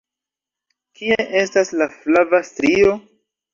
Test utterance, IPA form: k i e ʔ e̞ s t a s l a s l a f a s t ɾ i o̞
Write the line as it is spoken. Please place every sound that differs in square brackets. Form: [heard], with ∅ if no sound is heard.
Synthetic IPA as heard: k i e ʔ e̞ s t a s l a [f] l a [v] a s t ɾ i o̞